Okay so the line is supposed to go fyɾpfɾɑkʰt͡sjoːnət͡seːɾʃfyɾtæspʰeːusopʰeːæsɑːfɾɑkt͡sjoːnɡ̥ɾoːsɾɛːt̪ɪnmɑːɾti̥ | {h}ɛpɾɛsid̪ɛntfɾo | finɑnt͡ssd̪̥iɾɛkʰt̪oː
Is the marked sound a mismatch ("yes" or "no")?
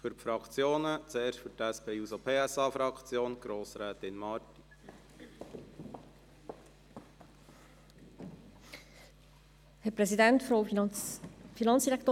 no